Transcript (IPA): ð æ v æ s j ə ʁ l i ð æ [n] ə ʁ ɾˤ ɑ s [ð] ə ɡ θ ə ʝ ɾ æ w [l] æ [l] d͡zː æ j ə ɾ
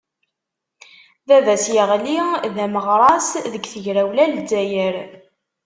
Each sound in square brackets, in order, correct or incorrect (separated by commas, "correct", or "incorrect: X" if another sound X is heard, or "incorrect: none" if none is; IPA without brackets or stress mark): incorrect: m, correct, correct, correct